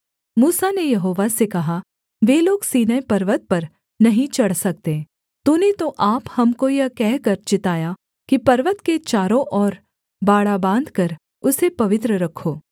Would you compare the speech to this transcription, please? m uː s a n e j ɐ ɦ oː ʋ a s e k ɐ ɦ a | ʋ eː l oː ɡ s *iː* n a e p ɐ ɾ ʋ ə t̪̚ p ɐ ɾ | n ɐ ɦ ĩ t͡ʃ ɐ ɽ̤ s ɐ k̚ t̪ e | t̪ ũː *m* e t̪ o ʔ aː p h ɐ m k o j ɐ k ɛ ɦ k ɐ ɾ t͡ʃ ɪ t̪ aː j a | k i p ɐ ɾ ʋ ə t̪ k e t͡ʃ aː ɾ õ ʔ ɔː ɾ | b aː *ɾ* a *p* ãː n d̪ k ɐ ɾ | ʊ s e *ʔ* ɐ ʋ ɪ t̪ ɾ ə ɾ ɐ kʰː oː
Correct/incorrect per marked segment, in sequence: correct, incorrect: n, incorrect: ɽ, incorrect: b, incorrect: p

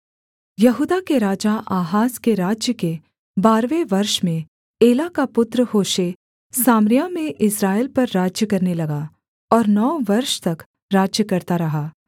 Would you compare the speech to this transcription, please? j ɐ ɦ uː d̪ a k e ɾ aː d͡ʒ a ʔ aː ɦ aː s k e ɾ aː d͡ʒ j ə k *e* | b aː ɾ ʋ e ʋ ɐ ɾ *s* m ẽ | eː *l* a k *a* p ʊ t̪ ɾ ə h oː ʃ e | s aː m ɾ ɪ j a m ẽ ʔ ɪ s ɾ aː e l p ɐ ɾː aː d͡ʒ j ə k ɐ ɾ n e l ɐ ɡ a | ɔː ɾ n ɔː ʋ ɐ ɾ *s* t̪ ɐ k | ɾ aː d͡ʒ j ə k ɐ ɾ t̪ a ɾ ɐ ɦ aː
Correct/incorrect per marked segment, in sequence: correct, incorrect: ʃ, correct, correct, incorrect: ʃ

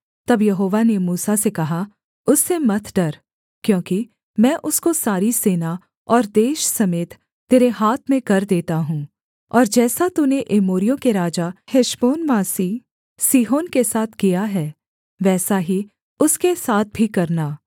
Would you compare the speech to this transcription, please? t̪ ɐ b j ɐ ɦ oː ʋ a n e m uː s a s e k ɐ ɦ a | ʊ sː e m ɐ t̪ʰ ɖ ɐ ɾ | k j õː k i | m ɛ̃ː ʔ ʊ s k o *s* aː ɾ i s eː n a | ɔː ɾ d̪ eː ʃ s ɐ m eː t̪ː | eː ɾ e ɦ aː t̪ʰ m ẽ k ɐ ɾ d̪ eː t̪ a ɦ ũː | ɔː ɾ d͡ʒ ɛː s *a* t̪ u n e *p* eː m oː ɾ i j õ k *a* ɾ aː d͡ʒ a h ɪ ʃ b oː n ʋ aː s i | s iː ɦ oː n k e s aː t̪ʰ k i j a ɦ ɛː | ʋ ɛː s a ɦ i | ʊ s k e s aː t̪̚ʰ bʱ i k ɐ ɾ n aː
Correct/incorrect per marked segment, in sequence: correct, correct, incorrect: ʔ, incorrect: e

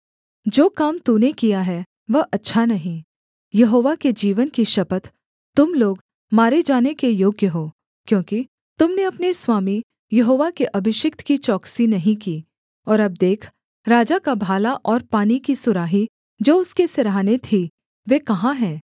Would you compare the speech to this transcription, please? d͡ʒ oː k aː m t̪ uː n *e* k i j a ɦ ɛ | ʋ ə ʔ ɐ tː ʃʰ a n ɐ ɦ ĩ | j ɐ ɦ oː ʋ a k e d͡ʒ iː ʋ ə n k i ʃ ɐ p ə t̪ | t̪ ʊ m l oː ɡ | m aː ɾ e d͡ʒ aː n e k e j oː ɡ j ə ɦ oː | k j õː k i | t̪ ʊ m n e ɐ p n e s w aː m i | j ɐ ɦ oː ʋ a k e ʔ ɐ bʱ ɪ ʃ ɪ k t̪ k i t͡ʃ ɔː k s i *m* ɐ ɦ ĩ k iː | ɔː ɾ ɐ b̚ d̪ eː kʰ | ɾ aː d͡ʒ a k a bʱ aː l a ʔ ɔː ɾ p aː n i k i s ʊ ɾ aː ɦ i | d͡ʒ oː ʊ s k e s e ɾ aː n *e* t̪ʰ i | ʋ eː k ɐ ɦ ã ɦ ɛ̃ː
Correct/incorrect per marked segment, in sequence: correct, incorrect: n, correct

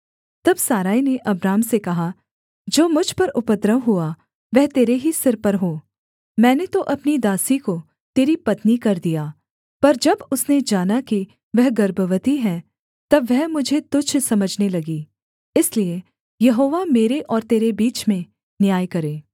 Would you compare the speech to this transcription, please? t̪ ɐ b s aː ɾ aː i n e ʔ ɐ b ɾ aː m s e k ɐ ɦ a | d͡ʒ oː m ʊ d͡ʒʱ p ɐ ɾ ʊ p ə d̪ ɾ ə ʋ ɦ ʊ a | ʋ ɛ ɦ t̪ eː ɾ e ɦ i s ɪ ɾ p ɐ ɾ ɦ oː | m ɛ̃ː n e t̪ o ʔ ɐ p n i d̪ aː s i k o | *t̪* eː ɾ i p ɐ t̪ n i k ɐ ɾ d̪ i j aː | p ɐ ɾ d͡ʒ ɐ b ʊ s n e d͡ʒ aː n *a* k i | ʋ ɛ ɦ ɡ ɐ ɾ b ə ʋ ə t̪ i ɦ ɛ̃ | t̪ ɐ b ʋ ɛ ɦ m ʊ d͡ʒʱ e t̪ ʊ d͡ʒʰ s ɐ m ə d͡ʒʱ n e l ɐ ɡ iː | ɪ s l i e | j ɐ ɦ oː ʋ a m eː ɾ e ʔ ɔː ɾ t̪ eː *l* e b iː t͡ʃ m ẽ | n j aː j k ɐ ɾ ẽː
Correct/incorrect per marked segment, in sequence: correct, correct, incorrect: ɾ

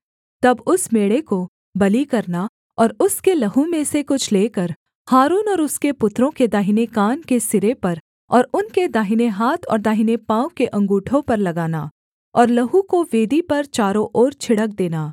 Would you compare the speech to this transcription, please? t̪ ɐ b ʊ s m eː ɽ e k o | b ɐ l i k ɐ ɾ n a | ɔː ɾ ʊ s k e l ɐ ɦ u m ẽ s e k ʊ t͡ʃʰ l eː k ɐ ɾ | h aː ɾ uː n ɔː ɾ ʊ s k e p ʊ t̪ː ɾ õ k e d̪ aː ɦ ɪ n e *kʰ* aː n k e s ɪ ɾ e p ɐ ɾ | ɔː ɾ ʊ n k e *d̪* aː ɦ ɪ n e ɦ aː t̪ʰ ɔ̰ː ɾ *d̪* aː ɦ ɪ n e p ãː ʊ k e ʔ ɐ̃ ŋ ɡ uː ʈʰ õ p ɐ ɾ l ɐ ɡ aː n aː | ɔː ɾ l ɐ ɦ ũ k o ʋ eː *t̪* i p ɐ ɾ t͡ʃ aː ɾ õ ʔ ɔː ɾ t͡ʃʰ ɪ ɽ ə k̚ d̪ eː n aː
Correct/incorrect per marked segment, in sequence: incorrect: k, correct, correct, incorrect: d̪

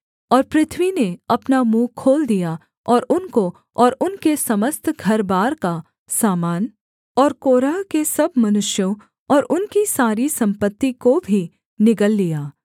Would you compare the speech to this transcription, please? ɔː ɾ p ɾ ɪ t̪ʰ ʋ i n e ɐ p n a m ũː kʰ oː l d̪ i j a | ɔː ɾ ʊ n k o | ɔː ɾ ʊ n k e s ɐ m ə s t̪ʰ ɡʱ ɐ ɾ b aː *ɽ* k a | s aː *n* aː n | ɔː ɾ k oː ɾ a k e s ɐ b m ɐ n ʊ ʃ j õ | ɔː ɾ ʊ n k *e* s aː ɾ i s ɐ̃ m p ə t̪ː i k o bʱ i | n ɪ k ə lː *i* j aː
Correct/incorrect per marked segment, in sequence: incorrect: ɾ, incorrect: m, incorrect: i, correct

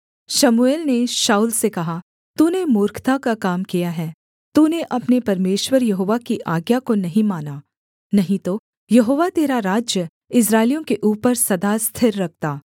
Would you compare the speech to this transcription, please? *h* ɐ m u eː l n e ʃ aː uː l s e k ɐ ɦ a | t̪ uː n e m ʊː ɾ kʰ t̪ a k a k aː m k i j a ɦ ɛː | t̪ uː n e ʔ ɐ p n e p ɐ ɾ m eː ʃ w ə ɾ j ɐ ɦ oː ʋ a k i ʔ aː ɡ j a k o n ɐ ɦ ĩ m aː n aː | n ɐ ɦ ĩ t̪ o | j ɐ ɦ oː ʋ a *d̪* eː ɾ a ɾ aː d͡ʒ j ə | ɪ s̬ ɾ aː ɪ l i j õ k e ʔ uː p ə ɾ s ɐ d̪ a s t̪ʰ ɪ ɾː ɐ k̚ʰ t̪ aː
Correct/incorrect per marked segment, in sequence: incorrect: ʃ, incorrect: t̪

